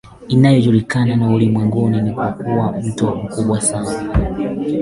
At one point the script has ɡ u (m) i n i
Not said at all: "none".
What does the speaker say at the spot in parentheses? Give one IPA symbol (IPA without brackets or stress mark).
n